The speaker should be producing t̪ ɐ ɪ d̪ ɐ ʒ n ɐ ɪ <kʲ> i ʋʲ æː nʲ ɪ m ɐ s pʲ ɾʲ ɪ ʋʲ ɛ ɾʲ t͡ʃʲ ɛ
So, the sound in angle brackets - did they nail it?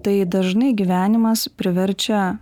no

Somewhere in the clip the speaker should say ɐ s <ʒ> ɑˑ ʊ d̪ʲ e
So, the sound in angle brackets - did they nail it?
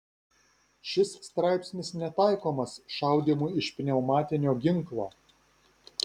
no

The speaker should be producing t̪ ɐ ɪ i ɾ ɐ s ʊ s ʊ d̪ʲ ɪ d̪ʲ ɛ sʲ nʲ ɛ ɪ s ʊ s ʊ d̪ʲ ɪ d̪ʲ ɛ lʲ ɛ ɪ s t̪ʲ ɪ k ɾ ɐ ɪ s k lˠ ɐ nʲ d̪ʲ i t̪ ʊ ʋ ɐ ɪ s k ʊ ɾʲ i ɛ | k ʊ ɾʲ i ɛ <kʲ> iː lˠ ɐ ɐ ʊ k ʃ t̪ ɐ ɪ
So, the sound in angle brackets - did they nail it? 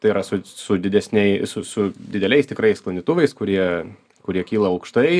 yes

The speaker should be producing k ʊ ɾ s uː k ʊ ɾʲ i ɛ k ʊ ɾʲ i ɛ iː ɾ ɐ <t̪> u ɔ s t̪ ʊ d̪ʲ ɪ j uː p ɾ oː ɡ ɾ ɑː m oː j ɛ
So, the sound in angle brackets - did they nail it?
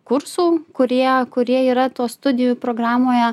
yes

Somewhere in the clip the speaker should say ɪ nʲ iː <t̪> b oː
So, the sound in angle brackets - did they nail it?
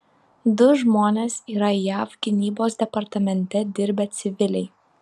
no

